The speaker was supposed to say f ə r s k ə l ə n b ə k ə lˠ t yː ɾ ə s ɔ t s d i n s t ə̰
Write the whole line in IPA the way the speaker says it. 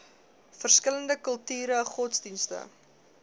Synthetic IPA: f ə r s k ə l ə n d ə k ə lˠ t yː ɾ ə χ ɔ t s d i n s t ə̰